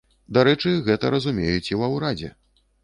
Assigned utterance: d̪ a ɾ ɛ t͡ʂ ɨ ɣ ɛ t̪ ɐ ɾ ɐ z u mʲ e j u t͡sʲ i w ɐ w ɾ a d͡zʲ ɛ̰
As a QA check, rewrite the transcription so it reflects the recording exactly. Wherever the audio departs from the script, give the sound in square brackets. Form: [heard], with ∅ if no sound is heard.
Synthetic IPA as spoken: d̪ a ɾ ɛ t͡ʂ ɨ ɣ ɛ t̪ ɐ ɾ ɐ z u mʲ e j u t͡sʲ i w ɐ w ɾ a d͡zʲ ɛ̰